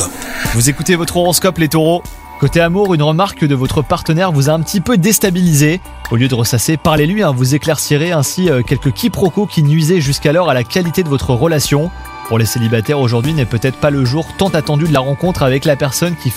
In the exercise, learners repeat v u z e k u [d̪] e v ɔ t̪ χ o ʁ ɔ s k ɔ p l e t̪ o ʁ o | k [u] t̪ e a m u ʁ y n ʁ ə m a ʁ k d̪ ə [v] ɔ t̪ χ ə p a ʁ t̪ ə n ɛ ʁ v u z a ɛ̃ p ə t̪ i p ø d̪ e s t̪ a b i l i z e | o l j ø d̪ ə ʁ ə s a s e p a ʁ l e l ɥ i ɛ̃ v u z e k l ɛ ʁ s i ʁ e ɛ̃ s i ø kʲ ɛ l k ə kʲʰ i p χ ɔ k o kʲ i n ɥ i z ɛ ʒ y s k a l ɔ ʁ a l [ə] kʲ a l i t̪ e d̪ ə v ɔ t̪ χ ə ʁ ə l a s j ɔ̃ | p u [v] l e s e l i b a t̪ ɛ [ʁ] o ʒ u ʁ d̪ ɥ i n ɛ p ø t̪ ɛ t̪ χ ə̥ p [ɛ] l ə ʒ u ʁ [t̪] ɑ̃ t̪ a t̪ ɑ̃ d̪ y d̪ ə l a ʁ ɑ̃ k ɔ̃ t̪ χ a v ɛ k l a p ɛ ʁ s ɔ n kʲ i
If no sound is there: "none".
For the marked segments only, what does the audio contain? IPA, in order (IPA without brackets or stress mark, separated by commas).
t̪, o, v, a, ʁ, ʁ, a, t̪